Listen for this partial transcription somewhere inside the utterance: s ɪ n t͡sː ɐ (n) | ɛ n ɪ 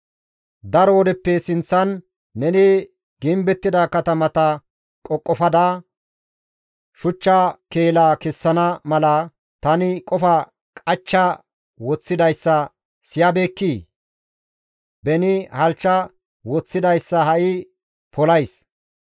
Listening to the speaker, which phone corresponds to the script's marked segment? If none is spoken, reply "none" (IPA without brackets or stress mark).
nː